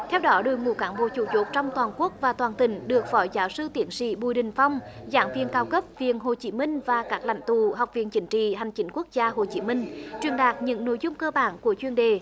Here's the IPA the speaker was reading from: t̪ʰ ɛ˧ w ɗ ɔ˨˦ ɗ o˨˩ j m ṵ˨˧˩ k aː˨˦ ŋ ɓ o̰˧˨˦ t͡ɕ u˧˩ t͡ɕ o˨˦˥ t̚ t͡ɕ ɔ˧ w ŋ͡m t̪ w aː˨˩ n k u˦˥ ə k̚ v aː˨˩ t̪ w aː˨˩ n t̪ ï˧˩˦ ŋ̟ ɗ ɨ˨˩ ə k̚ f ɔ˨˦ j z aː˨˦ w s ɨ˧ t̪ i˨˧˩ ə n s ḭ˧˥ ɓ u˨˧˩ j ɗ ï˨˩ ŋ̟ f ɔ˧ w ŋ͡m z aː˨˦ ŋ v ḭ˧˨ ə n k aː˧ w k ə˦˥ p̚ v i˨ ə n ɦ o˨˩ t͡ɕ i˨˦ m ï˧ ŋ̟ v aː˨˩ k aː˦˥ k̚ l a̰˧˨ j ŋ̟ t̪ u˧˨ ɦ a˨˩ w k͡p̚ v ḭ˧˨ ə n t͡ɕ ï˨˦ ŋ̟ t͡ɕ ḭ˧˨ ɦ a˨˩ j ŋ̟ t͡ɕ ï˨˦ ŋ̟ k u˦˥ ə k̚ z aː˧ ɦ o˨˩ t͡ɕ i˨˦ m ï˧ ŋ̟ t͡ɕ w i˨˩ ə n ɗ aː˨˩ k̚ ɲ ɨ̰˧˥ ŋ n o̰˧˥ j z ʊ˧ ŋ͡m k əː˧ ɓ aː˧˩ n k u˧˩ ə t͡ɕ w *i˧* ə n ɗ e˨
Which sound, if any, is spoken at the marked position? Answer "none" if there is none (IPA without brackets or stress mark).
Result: i˧